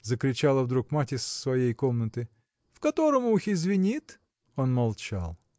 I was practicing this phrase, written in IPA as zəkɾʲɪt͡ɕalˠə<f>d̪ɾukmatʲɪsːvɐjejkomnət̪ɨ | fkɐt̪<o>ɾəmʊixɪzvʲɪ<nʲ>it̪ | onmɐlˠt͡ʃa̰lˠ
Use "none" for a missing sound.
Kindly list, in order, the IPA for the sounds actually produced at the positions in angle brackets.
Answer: v, o, nʲ

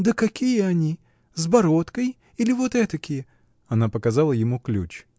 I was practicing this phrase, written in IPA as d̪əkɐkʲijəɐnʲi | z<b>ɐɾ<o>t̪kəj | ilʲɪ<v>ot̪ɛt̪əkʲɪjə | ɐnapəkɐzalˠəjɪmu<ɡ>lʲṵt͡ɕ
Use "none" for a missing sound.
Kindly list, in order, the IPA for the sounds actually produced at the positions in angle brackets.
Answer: b, o, v, k

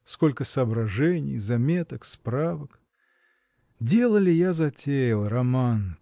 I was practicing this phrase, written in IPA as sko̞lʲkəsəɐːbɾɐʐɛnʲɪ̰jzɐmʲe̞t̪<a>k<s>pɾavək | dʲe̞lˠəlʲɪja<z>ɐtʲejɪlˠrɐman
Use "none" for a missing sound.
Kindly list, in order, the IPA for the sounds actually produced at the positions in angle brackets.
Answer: ə, s, z

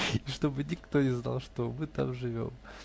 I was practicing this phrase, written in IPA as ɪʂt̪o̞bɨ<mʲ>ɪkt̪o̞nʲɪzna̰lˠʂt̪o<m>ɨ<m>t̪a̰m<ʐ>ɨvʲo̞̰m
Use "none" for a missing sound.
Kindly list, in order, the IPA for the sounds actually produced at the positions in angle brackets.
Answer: nʲ, m, none, ʐ

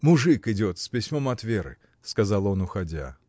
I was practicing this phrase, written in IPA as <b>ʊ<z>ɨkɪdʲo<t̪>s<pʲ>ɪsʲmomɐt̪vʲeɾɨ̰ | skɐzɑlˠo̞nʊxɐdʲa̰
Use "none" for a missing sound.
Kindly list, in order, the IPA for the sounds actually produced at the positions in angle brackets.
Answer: m, ʐ, t̪, pʲ

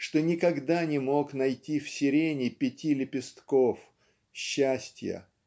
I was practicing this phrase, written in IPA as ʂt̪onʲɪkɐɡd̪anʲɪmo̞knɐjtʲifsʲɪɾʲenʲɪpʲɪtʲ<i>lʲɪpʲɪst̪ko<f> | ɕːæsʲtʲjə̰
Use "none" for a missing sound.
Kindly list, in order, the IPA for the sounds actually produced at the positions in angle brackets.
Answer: i, f

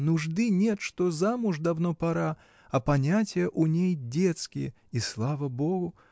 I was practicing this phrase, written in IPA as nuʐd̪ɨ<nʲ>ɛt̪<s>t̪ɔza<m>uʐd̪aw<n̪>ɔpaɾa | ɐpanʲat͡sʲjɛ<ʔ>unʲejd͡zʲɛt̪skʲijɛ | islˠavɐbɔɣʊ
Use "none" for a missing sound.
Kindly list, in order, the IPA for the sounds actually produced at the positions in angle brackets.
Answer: nʲ, ʂ, m, n̪, ʔ

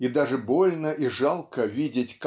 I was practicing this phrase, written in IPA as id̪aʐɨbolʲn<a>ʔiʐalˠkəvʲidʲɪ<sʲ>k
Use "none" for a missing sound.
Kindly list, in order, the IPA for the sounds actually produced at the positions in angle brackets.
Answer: ə, tʲ

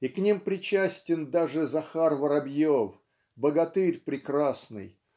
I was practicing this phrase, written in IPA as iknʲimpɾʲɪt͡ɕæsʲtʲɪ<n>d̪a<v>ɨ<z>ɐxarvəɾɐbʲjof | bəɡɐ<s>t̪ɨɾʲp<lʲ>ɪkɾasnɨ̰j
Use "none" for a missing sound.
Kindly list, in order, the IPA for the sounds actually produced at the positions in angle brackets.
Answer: n, ʐ, z, none, ɾʲ

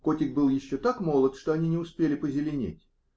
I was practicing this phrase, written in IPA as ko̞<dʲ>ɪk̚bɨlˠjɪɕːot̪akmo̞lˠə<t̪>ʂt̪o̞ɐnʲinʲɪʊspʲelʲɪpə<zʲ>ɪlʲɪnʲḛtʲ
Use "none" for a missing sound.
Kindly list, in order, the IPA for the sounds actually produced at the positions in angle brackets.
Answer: tʲ, t̪, zʲ

